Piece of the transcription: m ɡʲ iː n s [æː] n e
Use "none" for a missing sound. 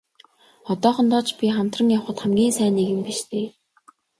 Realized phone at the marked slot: æː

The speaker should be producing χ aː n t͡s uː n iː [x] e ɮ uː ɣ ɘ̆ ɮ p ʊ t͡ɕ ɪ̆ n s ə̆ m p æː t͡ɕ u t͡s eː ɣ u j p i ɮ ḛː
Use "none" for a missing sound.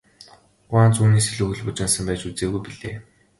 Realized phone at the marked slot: s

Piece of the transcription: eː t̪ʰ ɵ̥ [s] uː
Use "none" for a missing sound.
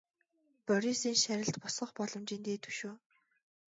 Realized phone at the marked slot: ʃ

